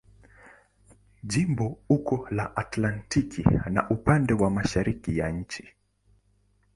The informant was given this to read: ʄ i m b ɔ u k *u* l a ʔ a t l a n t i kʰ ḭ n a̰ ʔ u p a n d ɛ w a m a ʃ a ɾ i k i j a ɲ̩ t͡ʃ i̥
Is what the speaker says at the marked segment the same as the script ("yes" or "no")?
no